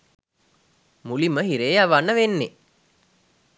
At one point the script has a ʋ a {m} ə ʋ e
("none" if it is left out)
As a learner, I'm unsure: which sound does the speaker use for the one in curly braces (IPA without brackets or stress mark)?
n